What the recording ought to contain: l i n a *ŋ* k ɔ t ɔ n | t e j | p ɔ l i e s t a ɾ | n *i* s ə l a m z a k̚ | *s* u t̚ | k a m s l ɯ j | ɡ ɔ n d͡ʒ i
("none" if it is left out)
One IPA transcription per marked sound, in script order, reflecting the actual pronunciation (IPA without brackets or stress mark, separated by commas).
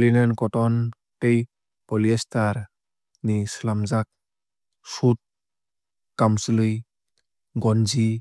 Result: n, i, s